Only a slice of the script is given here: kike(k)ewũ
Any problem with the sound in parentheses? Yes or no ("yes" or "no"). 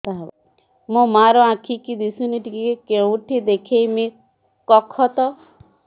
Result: no